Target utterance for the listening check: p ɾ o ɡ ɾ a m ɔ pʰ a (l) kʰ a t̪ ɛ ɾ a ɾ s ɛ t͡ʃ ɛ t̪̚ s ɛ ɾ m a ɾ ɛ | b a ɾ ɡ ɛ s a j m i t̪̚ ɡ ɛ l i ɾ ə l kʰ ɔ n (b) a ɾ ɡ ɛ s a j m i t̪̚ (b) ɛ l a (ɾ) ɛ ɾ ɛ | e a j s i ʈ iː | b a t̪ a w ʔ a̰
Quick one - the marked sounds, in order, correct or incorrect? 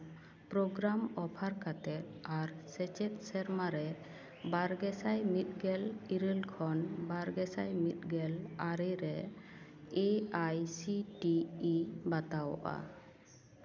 incorrect, correct, incorrect, correct

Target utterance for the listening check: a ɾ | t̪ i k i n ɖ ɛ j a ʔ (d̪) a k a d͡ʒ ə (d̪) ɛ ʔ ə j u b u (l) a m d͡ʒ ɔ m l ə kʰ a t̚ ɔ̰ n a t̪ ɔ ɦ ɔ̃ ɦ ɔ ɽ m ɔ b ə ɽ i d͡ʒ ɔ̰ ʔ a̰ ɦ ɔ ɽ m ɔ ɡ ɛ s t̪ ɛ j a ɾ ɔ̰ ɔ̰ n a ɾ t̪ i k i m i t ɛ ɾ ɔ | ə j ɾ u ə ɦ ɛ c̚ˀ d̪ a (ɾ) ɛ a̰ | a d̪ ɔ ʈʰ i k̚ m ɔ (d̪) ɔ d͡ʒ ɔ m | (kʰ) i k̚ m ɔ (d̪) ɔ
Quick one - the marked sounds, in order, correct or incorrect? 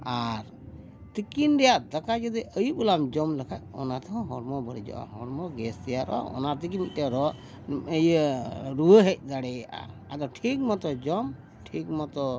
correct, correct, correct, incorrect, incorrect, incorrect, incorrect

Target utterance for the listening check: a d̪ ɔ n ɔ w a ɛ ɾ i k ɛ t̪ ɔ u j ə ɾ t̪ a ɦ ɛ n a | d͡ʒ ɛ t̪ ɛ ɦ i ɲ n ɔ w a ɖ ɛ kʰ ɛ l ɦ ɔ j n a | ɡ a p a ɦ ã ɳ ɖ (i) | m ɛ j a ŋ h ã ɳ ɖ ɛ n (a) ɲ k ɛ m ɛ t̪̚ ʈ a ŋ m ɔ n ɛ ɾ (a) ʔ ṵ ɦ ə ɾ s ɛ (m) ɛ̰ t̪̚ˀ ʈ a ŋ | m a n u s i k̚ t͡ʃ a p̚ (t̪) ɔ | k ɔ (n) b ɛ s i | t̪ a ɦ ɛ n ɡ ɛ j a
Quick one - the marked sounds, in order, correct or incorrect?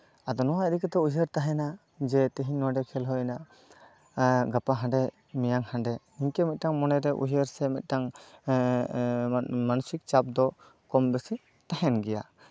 incorrect, incorrect, incorrect, correct, incorrect, incorrect

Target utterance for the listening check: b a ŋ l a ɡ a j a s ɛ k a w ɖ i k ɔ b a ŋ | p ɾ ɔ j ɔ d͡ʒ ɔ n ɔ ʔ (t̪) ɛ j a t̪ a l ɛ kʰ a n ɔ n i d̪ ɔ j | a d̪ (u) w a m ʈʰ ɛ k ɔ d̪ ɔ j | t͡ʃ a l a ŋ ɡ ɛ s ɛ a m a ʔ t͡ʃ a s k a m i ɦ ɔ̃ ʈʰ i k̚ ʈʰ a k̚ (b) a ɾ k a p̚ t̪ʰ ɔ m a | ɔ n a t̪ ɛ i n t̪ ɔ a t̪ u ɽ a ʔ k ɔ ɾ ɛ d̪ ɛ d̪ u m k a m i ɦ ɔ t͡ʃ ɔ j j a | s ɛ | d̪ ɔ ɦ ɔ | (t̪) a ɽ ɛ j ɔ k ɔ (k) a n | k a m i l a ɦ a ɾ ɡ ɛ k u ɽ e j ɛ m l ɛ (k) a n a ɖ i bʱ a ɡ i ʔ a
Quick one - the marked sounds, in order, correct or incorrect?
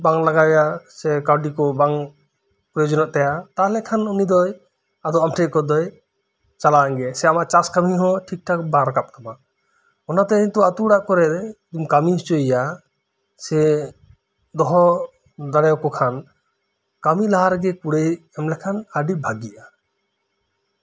correct, incorrect, correct, incorrect, incorrect, incorrect

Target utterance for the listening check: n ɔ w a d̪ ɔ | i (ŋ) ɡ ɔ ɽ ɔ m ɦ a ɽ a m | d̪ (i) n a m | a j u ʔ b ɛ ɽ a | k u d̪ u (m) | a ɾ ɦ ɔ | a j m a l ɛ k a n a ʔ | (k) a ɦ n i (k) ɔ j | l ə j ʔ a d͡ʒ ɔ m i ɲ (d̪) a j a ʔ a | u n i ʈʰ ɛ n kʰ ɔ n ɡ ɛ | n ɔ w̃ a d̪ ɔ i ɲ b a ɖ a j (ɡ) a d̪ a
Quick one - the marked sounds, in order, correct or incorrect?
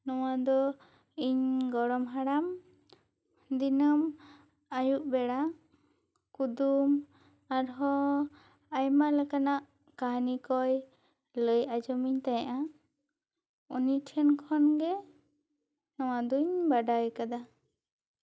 incorrect, correct, correct, correct, correct, incorrect, incorrect

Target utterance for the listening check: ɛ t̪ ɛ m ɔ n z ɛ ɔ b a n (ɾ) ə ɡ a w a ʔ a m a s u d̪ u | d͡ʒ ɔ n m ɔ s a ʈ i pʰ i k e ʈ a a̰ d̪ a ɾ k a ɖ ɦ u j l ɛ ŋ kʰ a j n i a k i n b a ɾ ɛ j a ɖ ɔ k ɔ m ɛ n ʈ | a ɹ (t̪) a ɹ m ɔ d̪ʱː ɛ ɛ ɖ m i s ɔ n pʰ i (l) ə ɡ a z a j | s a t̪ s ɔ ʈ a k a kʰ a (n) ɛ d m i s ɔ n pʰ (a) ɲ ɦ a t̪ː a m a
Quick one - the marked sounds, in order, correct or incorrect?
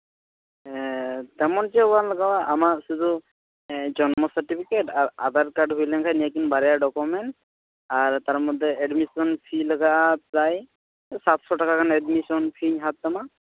incorrect, correct, correct, correct, incorrect

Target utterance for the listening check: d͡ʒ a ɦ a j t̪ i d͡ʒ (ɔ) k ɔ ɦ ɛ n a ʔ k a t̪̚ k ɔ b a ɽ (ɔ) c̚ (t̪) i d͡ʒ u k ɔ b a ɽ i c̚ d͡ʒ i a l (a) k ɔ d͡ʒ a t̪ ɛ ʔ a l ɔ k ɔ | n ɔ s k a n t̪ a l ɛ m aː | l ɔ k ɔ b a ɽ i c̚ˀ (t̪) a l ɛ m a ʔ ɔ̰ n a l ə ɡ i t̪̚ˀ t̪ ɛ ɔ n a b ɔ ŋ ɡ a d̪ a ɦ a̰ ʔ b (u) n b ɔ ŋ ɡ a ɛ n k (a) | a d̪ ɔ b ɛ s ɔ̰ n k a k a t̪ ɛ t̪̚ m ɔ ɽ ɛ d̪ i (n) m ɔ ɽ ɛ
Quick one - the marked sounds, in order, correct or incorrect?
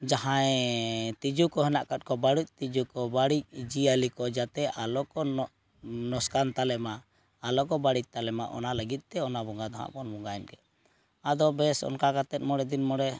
incorrect, incorrect, correct, incorrect, correct, incorrect, incorrect, correct

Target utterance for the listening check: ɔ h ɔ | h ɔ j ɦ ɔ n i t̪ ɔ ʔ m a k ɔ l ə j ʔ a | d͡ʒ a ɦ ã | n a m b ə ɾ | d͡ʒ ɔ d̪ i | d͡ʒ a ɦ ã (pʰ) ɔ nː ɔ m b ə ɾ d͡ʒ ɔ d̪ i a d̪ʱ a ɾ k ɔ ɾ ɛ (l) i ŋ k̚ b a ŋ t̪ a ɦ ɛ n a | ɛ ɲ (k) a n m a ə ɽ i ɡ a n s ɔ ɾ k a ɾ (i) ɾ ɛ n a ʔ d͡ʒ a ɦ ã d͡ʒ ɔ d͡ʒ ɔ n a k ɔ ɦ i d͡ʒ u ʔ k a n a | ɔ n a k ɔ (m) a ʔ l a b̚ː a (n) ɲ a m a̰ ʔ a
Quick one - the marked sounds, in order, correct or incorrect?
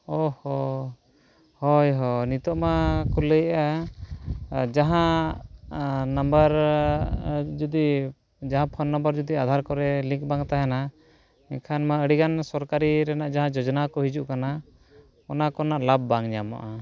correct, correct, incorrect, correct, incorrect, incorrect

